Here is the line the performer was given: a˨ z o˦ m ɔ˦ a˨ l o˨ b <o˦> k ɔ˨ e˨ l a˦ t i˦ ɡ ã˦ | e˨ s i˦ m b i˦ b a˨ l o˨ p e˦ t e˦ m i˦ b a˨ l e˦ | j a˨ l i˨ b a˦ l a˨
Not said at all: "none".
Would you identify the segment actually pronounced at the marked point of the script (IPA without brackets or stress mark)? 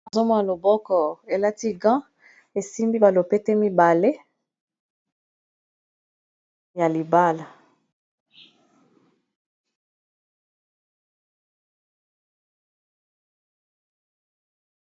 ɔ˦